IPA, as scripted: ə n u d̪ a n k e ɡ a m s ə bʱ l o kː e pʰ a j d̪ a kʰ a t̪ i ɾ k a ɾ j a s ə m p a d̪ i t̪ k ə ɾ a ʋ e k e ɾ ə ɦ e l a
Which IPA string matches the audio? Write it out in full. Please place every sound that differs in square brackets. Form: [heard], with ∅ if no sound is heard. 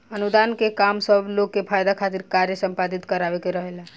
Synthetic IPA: ə n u d̪ a n k e [k] a m s ə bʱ l o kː e pʰ a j d̪ a kʰ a t̪ i ɾ k a ɾ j [ə] s ə m p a d̪ i t̪ k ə ɾ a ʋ e k e ɾ ə ɦ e l a